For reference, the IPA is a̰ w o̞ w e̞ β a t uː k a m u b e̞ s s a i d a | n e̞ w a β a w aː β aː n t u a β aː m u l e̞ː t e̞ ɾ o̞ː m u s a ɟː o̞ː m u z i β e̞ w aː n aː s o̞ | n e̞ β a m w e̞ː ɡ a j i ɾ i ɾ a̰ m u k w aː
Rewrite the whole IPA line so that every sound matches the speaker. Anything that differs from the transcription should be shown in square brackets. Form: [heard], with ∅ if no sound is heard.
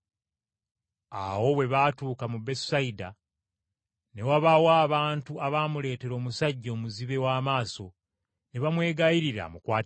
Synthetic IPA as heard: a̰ w o̞ w e̞ β a t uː k a m u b e̞ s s a i d a | n e̞ w a β a w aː β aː n t u a β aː m u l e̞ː t e̞ ɾ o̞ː m u s a ɟː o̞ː m u z i β e̞ w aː [m] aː s o̞ | n e̞ β a m w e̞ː ɡ a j i ɾ i ɾ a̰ m u k w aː